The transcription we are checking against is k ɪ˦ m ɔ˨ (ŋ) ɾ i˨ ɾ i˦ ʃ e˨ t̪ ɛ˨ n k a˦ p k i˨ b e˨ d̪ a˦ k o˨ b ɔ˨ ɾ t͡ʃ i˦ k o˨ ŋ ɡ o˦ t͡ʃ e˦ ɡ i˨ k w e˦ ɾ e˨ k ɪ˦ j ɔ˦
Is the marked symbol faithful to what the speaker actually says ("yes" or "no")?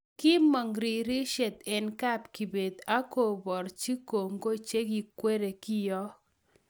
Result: yes